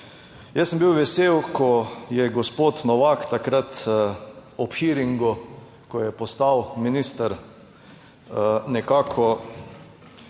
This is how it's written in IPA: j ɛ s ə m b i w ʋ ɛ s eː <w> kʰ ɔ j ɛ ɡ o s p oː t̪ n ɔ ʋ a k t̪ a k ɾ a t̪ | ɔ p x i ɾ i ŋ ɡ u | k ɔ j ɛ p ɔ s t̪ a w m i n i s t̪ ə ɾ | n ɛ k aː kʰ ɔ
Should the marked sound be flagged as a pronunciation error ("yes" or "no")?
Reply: no